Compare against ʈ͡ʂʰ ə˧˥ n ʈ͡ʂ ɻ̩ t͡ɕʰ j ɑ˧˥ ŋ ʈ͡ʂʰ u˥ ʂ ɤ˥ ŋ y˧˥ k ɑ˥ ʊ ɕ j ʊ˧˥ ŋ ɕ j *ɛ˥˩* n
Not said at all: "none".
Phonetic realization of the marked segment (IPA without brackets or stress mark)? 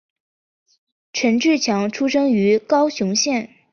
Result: ɛ˥˩